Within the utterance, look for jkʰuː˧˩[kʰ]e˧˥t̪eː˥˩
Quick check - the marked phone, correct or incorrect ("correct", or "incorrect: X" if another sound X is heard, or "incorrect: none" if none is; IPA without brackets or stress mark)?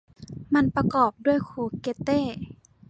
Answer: incorrect: k